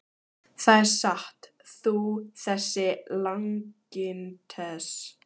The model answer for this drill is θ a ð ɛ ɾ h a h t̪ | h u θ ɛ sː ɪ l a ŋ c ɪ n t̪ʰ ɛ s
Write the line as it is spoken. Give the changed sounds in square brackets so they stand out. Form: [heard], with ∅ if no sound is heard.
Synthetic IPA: θ a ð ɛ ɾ [s] a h t̪ | [θ] u θ ɛ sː ɪ l a ŋ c ɪ n t̪ʰ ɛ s

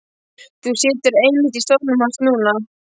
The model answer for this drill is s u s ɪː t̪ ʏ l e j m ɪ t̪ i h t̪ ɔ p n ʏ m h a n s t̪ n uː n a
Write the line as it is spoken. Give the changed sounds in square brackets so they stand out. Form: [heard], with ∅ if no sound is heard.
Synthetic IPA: [θ] u s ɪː t̪ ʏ [ɾ] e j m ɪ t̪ i [s] t̪ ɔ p n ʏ m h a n s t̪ n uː n a

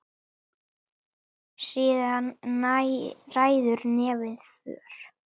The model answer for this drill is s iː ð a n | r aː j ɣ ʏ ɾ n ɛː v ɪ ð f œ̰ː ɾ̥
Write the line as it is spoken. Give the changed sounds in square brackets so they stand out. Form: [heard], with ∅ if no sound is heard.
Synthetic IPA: s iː ð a n | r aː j [ð] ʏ ɾ n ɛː v ɪ ð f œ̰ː ɾ̥

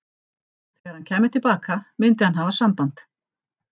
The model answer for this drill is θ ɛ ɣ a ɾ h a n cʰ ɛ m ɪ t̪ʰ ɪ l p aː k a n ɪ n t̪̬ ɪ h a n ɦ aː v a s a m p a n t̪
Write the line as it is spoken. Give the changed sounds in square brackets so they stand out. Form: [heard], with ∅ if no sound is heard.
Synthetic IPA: θ ɛ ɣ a ɾ h a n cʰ [ɛː] m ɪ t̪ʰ ɪ l p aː k a [m] ɪ n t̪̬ ɪ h a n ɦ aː v a s a m p a n t̪

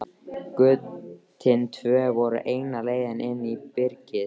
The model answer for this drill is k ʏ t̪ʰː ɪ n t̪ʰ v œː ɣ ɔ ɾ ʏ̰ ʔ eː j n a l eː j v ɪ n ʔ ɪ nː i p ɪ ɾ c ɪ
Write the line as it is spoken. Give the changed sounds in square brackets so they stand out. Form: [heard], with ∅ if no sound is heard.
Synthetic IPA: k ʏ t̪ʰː ɪ n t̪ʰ v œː [v] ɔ ɾ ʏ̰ ʔ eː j n a l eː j [ð] ɪ n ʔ ɪ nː i p ɪ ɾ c ɪ

